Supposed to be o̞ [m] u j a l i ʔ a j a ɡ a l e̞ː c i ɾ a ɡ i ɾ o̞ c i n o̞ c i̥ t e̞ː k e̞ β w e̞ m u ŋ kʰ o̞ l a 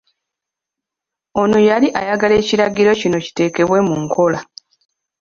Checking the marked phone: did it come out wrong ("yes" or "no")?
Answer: yes